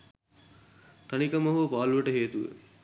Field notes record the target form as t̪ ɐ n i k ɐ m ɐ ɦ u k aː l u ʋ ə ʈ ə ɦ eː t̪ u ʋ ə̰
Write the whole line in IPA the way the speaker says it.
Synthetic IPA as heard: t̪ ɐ n i k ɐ m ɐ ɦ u p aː l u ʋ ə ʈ ə ɦ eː t̪ u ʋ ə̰